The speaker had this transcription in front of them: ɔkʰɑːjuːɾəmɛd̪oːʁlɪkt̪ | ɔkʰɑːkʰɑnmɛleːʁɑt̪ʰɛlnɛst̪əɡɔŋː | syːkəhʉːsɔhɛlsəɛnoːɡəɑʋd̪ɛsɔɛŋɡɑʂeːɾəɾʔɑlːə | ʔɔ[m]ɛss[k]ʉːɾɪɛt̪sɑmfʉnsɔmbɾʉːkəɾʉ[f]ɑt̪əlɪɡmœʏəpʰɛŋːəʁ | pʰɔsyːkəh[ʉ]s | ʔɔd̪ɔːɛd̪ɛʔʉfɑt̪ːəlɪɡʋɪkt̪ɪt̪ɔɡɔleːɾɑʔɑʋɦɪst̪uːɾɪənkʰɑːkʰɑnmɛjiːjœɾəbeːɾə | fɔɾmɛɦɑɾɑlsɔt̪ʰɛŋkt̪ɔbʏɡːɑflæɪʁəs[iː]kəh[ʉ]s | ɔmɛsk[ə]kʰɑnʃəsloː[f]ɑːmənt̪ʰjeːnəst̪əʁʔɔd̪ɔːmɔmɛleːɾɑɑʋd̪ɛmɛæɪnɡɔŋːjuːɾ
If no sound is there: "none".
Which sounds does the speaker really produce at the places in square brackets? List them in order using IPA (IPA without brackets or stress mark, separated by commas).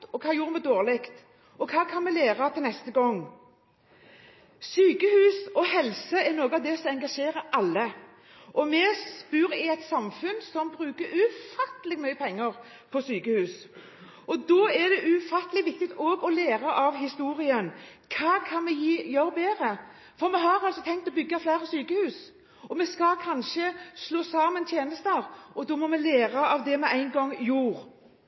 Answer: m, p, f, ʉː, yː, ʉː, ɑ, s